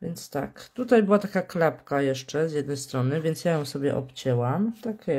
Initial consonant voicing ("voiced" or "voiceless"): voiced